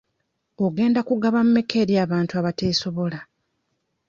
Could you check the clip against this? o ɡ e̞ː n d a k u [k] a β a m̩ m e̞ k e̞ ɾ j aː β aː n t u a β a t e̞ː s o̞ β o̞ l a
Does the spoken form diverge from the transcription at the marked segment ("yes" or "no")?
yes